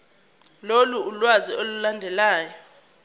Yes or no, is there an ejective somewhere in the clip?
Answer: no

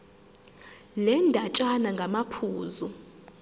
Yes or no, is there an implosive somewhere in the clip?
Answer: no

